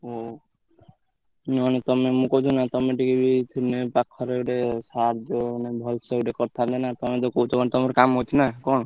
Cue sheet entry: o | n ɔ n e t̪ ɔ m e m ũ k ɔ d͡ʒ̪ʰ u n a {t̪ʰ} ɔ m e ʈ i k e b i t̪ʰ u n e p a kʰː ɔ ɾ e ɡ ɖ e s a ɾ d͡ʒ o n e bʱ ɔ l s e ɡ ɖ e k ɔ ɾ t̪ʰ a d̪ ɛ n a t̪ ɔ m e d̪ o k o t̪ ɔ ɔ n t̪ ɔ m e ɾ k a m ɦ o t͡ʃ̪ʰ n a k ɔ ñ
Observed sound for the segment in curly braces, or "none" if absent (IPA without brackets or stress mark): t̪